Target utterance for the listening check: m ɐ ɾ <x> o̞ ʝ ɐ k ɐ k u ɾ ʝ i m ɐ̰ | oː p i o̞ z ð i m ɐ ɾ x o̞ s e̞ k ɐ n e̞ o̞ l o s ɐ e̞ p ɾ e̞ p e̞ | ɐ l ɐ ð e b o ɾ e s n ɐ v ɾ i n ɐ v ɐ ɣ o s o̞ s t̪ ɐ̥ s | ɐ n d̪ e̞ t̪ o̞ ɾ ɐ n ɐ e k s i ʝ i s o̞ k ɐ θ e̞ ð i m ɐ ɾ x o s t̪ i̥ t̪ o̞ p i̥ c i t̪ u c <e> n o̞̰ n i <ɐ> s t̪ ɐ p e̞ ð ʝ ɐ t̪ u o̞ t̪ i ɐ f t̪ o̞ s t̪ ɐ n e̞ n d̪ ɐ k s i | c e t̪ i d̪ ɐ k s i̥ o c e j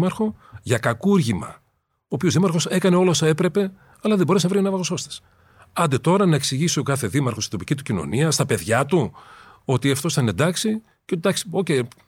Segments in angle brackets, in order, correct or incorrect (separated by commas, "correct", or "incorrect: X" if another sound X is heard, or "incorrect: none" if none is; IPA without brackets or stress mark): correct, incorrect: i, correct